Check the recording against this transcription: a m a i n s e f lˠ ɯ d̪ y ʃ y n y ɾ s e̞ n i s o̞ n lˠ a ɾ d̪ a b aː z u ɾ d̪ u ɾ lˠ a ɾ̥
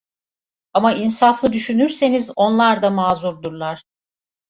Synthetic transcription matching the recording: a m a i n s a f lˠ ɯ d̪ y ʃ y n y ɾ s e̞ n i z o̞ n lˠ a ɾ d̪ a m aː z u ɾ d̪ u ɾ lˠ a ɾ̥

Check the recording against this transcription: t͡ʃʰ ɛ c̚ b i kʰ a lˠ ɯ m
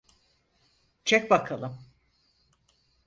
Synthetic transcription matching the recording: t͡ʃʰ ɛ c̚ b a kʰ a lˠ ɯ m

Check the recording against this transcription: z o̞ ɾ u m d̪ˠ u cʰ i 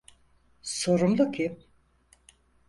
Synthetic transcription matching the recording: s o̞ ɾ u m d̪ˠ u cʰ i

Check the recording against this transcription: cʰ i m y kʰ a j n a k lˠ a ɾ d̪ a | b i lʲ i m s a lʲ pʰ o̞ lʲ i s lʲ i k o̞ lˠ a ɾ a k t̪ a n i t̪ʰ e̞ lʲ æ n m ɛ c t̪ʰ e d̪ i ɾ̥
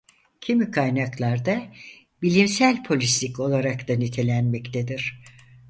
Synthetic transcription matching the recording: cʰ i m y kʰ a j n a k lˠ a ɾ d̪ a | b i lʲ i m s æ lʲ pʰ o̞ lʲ i s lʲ i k o̞ lˠ a ɾ a k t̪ a n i t̪ʰ e̞ lʲ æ n m ɛ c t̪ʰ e d̪ i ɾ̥

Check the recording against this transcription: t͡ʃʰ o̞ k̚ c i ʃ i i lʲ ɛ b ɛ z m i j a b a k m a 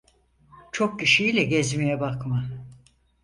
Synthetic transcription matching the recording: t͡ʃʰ o̞ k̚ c i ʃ i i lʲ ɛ ɟ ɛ z m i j ɛ b a k m a

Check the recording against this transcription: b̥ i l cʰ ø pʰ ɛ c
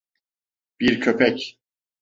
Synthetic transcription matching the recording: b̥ i ɾ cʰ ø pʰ ɛ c

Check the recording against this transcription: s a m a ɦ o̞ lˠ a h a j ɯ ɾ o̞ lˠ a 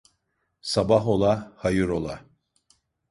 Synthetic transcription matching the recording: s a b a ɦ o̞ lˠ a h a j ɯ ɾ o̞ lˠ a

